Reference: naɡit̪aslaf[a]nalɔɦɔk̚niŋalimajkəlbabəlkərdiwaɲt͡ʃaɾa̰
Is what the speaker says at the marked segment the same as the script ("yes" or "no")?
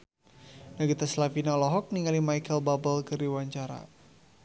no